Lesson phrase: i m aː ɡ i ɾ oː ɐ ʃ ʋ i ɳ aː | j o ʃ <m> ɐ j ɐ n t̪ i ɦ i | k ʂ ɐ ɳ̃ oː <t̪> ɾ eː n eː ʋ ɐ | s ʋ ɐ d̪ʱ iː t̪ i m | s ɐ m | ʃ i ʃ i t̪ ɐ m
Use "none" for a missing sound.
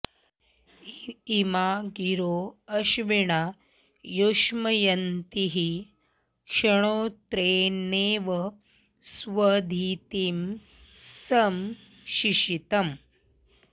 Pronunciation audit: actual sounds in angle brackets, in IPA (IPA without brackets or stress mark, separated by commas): m, t̪